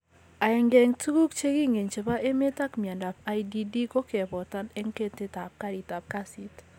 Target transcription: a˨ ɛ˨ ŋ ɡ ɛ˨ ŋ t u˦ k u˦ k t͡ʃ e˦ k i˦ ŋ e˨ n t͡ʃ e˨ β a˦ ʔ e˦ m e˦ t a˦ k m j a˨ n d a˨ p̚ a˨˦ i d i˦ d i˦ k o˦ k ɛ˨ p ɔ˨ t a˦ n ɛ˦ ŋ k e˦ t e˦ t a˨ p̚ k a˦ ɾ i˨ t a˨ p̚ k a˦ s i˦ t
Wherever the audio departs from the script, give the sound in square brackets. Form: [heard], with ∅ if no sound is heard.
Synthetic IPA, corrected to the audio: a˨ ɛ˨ ŋ ɡ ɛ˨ ŋ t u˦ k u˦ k t͡ʃ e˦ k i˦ ŋ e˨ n t͡ʃ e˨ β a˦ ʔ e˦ m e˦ t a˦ k m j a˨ n d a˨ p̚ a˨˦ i d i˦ d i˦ k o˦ k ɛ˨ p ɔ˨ t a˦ n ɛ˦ ŋ k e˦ t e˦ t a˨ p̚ k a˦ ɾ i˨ t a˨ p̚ k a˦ s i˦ t